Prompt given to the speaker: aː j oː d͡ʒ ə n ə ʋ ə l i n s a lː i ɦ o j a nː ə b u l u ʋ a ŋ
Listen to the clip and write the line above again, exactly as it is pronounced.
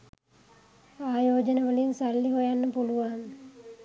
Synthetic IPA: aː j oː d͡ʒ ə n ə ʋ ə l i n s a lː i ɦ o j a nː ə p u l u ʋ a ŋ

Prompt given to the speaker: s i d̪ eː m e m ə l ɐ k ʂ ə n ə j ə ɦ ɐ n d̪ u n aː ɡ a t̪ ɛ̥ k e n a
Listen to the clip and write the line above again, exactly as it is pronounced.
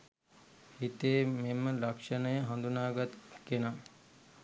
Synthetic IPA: h i t̪ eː m e m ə l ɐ k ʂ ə n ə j ə ɦ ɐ n d̪ u n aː ɡ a t̪ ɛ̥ k e n a

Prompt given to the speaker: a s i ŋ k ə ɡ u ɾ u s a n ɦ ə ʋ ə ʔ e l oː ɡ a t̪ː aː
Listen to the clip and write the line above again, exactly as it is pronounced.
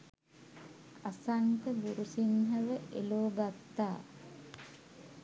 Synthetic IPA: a s a ŋ k ə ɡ u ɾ u s i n ɦ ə ʋ ə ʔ e l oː ɡ a t̪ː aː

